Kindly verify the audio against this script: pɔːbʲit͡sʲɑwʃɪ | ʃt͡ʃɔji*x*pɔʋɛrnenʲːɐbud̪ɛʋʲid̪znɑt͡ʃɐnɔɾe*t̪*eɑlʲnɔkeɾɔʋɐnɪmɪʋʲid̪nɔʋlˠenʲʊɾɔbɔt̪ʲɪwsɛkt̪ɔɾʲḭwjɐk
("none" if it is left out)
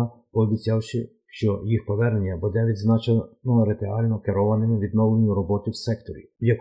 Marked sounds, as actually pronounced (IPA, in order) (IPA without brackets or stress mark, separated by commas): x, t̪